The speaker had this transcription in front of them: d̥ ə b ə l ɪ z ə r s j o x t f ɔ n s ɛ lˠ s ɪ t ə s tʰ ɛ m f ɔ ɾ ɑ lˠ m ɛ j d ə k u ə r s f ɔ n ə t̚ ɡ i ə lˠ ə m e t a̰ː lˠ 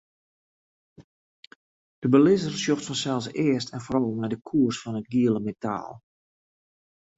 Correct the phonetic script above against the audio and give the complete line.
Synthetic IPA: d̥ ə b ə l ɪ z ə r s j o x t f ɔ n s ɛ lˠ s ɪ ə s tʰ ɛ n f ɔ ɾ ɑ lˠ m ɛ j d ə kʰ u ə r s f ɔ n ə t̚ ɡ i ə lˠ ə m e t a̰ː lˠ

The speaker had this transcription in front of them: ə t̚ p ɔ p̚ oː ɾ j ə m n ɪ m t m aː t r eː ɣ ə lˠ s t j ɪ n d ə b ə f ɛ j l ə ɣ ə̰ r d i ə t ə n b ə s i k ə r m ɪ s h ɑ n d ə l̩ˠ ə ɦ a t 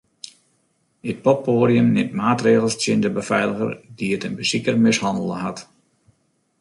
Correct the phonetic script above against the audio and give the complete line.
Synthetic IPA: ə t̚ p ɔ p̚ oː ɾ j ə m n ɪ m t m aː t r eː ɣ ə lˠ s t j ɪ n d ə b ə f ɛ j l ə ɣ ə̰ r d i ə t ə n b ə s i k ə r m ɪ s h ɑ n d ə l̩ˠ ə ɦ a t

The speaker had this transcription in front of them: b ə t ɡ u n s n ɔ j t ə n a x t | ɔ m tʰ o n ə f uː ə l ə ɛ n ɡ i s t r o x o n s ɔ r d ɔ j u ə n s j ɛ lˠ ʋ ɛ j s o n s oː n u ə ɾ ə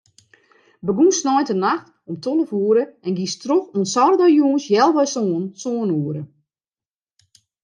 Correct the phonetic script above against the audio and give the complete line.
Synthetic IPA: b ə ɡ u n s n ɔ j t ə n a x t | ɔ m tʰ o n ə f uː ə ɾ ə ɛ n ɡ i s t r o x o n s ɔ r d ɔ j u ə n s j ɛ lˠ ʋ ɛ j s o n s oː n u ə ɾ ə

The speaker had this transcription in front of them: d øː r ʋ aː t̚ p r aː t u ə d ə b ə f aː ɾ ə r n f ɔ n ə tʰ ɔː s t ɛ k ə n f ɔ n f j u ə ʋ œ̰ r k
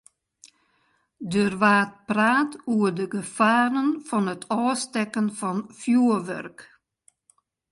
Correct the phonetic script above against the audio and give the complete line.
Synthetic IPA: d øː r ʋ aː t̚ p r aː t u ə d ə ɡ ə f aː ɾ ə n f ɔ n ə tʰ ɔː s t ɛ k ə n f ɔ n f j u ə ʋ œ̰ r k

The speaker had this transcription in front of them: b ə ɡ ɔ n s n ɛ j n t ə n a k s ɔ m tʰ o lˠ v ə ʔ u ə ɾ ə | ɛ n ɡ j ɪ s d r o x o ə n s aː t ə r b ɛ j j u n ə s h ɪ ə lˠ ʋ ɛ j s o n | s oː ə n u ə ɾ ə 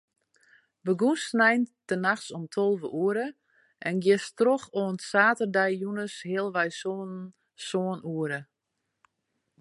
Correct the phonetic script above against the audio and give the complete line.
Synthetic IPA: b ə ɡ u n s n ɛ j n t ə n a x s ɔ m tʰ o lˠ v ə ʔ u ə ɾ ə | ɛ n ɡ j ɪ s t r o x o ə n s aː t ə r d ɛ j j u n ə s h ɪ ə lˠ ʋ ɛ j s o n | s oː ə n u ə ɾ ə

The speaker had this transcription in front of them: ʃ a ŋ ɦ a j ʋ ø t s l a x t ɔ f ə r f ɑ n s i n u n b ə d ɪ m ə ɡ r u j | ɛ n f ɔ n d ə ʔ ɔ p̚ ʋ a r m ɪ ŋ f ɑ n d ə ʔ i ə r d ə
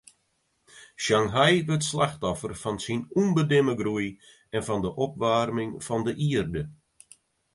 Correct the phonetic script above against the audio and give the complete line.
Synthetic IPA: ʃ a ŋ ɦ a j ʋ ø t s l a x t ɔ f ə r f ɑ n s i n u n b ə d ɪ m ə ɡ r u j | ɛ n f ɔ n d ə ʔ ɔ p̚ ʋ a r m ɪ ŋ f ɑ n d ə ʔ i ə r d ə

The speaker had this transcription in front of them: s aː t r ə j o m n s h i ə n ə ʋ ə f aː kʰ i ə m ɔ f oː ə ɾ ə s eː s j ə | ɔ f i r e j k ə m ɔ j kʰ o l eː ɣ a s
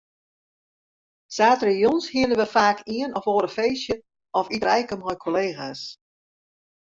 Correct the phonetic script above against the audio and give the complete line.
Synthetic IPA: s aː t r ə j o n s h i ə n ə ʋ ə f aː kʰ i ə n ɔ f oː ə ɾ ə f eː s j ə | ɔ f i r ɛ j k ə m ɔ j kʰ o l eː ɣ a s

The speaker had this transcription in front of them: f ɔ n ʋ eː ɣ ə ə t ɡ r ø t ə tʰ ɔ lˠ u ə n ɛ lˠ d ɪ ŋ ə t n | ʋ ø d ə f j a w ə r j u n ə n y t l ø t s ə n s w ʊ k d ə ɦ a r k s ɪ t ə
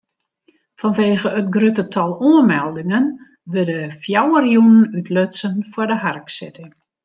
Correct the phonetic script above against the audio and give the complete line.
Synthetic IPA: f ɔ n ʋ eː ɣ ə ə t ɡ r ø t ə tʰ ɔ lˠ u ə m ɛ lˠ d ɪ ŋ ə n | ʋ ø d ə f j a w ə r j u n ə n y t l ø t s ə n f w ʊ d ə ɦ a r k s ɪ t ə

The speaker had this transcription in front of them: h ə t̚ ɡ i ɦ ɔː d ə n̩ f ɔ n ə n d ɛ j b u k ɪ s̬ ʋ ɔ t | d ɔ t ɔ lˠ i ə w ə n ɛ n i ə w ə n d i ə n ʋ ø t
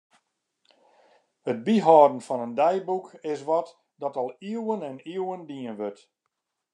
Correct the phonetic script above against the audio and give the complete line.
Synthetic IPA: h ə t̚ b i ɦ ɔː d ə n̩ f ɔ n ə n d ɛ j b u k ɪ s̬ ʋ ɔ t | d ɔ t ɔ lˠ i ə w ə n ɛ n i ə w ə n d i ə n ʋ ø t

